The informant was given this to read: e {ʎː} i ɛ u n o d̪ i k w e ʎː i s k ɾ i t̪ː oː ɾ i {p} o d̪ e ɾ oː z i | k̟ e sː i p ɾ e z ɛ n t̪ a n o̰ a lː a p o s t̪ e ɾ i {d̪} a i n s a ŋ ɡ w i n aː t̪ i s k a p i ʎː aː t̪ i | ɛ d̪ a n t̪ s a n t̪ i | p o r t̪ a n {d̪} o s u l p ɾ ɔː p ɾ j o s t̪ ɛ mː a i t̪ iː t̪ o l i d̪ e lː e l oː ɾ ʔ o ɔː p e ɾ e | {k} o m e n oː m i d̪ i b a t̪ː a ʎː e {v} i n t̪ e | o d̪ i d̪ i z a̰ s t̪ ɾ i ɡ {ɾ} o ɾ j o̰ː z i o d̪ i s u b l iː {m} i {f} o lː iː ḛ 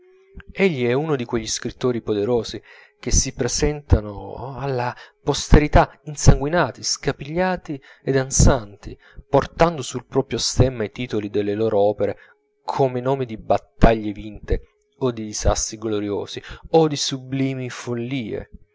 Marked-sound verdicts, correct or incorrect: correct, correct, incorrect, correct, incorrect, correct, incorrect, correct, correct

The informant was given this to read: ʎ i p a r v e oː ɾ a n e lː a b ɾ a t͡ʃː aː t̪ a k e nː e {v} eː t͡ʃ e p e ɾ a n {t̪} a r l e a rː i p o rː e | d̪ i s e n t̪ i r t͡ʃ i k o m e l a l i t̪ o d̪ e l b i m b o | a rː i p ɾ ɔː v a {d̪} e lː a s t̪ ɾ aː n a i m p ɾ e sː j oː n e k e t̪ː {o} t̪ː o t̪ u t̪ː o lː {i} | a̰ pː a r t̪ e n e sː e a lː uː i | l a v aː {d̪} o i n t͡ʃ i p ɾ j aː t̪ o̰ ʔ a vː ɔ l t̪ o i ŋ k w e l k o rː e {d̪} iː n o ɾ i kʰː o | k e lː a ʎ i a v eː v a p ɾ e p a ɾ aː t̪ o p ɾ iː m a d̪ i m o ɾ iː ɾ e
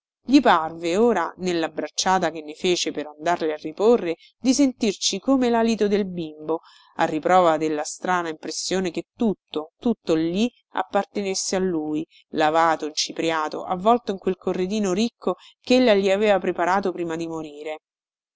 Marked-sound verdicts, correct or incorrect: incorrect, incorrect, correct, incorrect, correct, incorrect, correct

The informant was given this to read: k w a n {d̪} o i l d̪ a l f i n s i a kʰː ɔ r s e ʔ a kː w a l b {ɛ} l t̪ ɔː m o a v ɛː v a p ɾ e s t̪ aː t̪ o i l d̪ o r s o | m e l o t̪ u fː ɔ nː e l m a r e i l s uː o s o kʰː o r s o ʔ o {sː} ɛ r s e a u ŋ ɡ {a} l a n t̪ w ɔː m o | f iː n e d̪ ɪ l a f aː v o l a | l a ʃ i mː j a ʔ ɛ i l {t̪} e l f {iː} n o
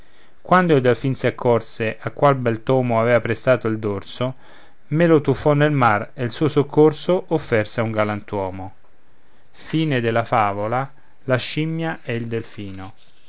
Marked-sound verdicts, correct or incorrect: correct, correct, incorrect, correct, incorrect, correct

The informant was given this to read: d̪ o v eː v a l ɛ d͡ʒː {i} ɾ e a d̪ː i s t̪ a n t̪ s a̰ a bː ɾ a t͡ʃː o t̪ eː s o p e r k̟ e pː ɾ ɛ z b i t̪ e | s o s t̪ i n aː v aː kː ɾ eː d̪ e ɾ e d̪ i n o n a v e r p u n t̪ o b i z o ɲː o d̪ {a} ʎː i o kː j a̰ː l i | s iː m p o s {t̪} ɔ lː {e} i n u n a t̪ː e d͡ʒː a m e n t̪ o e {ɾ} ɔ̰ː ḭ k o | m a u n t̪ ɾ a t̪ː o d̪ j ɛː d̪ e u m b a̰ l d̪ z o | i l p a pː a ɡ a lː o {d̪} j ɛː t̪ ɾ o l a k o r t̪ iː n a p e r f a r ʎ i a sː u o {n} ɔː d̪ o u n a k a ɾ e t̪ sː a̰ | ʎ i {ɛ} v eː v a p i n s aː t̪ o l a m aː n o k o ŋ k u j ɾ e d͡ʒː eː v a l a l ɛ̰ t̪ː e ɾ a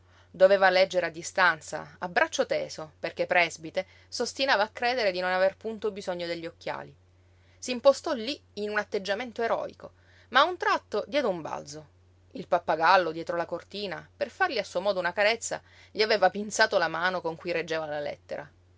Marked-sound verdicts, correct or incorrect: incorrect, incorrect, correct, incorrect, correct, correct, incorrect, incorrect

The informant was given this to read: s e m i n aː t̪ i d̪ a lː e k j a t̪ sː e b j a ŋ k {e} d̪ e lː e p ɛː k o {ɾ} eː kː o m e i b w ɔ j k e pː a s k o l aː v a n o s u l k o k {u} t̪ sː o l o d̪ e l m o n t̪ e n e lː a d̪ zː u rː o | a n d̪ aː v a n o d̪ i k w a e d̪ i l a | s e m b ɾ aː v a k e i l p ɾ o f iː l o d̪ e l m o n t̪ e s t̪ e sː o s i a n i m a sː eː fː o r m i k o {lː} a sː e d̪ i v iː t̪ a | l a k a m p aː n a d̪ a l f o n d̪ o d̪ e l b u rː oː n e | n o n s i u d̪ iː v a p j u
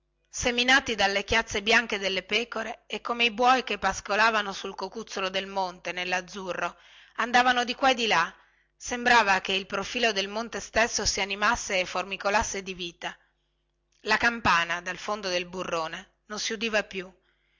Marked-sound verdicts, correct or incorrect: correct, correct, correct, incorrect

